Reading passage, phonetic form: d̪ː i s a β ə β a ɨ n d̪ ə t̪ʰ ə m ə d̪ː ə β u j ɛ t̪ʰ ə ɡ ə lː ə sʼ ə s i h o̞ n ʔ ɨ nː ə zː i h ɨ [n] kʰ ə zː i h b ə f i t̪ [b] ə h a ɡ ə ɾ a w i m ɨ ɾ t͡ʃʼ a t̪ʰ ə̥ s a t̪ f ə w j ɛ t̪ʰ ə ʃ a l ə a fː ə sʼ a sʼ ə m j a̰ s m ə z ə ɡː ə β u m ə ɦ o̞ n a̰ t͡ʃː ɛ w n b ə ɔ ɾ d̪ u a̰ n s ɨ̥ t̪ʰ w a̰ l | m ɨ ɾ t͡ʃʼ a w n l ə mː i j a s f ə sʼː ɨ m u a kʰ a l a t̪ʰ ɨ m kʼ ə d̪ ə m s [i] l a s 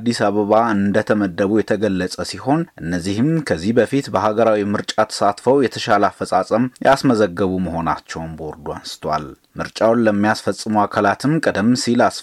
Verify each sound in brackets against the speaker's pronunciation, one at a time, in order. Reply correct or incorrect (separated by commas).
incorrect, correct, correct